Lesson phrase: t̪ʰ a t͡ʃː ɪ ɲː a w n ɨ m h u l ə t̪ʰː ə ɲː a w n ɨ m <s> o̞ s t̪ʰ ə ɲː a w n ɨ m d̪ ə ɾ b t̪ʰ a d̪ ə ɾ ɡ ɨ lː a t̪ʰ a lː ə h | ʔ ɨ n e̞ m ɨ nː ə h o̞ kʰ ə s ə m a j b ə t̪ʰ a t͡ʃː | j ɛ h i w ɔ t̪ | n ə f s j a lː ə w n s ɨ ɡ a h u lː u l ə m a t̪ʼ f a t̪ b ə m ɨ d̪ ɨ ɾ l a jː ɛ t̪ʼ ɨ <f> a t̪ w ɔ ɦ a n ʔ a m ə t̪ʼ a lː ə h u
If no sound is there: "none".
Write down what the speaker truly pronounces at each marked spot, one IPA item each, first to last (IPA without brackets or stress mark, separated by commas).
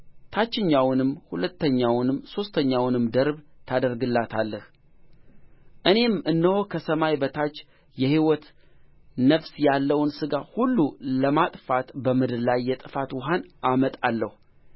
s, f